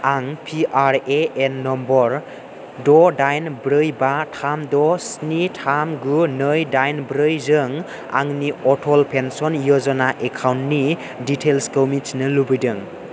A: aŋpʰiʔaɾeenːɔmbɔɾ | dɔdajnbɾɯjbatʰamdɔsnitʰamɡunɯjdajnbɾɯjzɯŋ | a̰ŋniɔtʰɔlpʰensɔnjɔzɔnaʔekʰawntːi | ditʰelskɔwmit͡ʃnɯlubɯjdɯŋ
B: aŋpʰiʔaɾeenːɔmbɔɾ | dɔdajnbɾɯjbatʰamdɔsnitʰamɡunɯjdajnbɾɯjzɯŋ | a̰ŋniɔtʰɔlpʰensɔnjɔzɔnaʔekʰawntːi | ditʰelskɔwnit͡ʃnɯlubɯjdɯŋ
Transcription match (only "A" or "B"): A